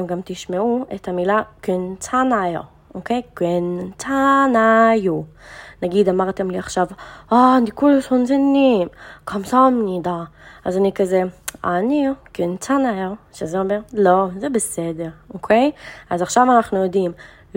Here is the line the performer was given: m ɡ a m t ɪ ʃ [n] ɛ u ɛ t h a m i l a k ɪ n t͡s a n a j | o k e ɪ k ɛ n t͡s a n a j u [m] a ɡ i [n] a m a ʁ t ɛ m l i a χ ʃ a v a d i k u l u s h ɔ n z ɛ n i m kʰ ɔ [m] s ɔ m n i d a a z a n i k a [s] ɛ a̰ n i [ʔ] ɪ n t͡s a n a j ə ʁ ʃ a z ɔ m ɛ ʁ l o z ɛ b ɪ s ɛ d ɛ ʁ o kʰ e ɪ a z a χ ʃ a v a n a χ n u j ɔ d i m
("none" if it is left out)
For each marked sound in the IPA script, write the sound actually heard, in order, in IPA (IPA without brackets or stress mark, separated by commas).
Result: m, n, d, m, z, k